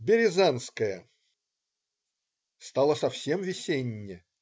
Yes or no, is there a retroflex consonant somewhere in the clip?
no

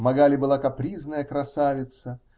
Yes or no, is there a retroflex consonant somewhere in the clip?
no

